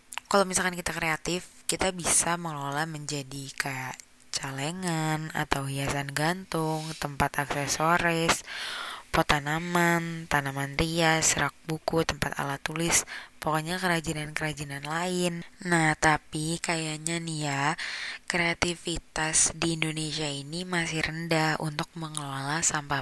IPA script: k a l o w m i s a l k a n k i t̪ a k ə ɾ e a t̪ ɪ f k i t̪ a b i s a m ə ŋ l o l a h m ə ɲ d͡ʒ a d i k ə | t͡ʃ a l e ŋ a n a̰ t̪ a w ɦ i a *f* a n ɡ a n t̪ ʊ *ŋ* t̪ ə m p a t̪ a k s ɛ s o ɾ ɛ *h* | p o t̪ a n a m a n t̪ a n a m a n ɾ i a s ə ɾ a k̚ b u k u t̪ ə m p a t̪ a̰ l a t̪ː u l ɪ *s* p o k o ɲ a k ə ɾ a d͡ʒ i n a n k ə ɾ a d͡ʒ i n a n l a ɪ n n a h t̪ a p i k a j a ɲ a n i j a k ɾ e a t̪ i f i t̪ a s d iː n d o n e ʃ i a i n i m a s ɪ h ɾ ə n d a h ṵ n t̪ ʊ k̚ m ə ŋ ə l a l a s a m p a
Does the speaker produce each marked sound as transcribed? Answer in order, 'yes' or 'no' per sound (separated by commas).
no, yes, no, yes